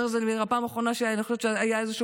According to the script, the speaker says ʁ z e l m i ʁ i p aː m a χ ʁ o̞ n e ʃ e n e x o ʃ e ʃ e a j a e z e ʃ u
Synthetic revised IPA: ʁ z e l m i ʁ a p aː m a χ ʁ o̞ n a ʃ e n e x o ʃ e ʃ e a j a e z e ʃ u